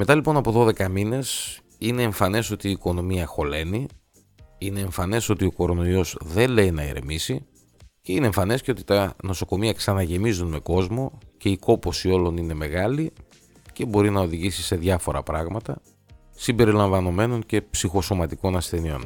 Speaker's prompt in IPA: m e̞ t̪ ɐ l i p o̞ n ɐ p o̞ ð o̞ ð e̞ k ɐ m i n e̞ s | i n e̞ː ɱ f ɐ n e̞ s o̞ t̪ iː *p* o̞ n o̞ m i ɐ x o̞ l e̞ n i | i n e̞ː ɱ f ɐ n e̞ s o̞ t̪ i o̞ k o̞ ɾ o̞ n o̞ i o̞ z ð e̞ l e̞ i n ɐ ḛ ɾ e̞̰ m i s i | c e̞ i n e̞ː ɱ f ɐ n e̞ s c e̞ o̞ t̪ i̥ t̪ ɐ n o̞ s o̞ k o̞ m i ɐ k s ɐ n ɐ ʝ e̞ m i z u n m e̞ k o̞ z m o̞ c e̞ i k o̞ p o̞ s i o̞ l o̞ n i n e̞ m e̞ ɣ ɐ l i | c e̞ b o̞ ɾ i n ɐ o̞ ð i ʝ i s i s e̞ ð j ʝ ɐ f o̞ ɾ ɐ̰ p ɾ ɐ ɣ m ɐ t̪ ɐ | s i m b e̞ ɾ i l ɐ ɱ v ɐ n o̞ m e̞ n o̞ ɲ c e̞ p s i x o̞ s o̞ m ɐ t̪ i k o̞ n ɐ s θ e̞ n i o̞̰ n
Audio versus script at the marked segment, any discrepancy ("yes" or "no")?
yes